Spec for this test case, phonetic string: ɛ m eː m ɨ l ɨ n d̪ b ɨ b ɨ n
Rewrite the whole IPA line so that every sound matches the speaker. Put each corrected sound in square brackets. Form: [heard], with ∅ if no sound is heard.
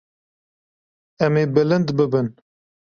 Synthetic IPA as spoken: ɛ m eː [b] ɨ l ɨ n d̪ b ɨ b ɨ n